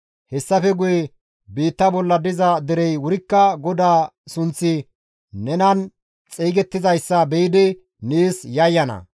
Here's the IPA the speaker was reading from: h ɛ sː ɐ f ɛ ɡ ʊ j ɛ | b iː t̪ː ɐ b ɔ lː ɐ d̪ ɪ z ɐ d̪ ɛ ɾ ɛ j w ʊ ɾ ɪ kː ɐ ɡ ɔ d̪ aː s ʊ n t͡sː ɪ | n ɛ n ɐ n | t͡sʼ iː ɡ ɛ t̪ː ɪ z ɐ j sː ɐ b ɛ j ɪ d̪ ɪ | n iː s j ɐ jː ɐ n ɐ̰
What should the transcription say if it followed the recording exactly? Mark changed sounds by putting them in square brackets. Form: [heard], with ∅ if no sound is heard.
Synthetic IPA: h ɛ sː ɐ f ɛ ɡ ʊ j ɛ | b iː t̪ː ɐ b ɔ lː ɐ d̪ ɪ z ɐ d̪ ɛ ɾ ɛ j w ʊ ɾ ɪ kː ɐ ɡ ɔ d̪ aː s ʊ n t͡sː ɪ | n ɛ n ɐ n | t͡sʼ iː ɡ ɛ t̪ː ɪ z ɐ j sː ɐ b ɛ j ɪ d̪ ɪ | n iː s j ɐ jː ɐ n ɐ̰